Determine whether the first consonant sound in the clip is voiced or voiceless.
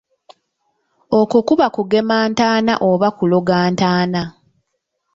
voiceless